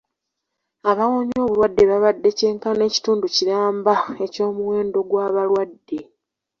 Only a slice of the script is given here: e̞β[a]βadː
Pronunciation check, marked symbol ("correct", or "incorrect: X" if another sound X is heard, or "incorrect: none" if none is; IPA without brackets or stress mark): correct